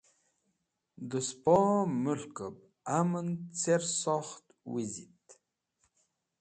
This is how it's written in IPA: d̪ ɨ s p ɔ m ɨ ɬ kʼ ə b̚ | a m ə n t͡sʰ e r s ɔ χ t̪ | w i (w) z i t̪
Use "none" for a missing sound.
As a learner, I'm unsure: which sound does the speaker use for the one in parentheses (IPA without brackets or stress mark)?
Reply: none